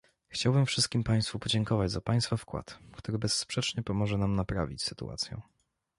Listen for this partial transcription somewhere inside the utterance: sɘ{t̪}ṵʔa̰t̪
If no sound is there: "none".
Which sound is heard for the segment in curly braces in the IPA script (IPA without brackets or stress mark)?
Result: t̪